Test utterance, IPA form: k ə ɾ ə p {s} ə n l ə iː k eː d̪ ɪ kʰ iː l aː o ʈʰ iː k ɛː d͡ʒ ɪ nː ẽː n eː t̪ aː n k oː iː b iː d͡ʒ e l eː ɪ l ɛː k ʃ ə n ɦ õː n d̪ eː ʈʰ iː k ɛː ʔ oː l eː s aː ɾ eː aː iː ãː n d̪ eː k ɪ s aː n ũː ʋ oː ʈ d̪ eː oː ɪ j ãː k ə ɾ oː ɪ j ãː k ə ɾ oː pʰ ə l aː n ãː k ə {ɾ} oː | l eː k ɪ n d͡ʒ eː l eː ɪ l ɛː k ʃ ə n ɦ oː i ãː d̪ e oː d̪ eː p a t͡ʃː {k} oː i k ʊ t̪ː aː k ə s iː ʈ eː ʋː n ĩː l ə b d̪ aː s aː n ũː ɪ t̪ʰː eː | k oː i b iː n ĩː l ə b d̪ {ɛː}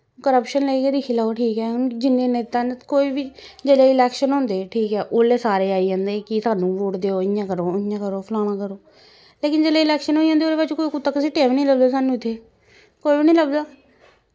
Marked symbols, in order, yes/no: no, yes, yes, no

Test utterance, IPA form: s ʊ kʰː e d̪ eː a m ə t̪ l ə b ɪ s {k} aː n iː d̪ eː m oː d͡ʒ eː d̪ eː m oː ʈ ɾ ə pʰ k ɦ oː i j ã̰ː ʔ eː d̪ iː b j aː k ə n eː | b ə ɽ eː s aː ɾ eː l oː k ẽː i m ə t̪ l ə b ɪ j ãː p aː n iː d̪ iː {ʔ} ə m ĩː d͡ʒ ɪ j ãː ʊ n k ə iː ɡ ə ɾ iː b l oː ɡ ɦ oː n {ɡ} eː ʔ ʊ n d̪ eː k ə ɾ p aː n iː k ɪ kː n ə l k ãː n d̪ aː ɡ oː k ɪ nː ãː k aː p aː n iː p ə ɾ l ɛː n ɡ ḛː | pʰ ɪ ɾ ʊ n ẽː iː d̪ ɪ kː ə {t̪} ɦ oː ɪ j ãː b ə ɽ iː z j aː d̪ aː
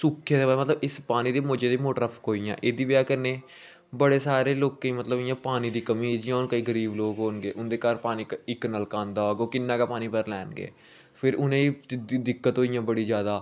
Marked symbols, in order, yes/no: no, no, yes, yes

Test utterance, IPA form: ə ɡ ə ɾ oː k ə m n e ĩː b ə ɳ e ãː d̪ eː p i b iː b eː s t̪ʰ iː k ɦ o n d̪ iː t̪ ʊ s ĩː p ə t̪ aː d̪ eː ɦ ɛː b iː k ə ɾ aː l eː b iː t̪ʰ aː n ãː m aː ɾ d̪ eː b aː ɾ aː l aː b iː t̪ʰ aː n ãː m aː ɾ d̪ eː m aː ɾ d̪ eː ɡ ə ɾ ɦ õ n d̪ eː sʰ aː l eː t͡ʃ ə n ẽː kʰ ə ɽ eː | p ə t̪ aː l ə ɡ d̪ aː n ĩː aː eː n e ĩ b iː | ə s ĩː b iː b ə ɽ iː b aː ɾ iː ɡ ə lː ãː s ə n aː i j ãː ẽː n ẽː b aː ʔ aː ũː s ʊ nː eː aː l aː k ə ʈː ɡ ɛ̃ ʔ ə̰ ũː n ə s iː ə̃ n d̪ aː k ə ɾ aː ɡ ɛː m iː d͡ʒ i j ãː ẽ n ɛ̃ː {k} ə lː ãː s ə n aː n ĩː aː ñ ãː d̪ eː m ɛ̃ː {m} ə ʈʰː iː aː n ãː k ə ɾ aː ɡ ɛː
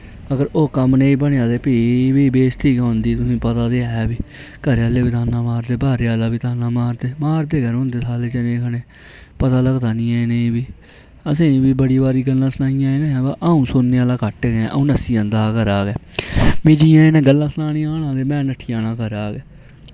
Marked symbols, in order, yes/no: no, no

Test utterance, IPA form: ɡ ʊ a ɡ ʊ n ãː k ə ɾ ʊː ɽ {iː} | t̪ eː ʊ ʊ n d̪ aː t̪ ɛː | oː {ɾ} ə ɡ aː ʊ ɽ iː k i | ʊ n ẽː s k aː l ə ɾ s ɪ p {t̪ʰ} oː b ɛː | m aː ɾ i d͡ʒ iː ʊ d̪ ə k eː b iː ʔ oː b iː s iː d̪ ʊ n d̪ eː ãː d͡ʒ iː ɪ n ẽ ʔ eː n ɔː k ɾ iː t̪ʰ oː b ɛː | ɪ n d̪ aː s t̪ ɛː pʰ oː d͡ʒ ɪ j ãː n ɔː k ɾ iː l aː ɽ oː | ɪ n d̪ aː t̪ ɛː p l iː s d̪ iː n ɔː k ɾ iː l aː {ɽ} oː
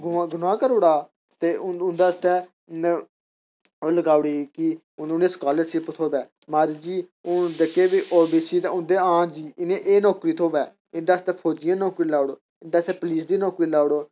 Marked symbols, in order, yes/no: no, no, yes, yes

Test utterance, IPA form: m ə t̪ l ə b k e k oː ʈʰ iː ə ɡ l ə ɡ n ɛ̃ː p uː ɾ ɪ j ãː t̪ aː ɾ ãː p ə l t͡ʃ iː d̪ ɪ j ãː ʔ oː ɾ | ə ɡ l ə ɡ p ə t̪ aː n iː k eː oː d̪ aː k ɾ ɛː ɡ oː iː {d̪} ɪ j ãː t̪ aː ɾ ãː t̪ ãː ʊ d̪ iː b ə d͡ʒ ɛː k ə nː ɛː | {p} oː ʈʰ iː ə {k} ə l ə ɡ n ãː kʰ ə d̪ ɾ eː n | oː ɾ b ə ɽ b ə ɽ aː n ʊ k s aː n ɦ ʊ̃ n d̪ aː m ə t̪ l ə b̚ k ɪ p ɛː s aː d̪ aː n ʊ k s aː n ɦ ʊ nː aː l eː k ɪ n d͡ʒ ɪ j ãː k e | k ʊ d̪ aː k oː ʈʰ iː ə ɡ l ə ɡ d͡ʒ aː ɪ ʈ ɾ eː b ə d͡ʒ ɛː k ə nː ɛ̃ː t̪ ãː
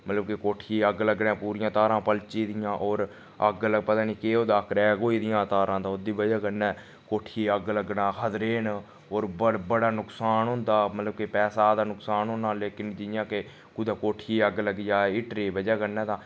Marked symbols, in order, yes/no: yes, no, no

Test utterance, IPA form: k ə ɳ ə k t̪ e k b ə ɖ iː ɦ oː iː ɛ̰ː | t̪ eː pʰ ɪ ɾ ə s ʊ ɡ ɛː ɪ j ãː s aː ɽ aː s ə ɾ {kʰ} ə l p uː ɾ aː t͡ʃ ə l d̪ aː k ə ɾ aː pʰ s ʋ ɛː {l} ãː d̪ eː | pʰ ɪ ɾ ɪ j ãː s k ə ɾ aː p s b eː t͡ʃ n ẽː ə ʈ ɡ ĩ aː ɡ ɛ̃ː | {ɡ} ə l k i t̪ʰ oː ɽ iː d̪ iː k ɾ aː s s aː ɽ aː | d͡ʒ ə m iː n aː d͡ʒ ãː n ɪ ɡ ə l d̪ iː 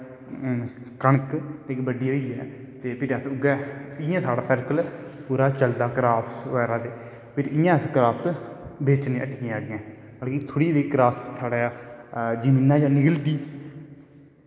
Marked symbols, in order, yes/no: no, no, no

